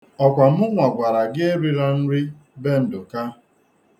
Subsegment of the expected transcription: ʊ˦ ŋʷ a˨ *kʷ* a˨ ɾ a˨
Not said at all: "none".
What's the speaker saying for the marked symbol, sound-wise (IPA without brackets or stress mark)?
ɡʷ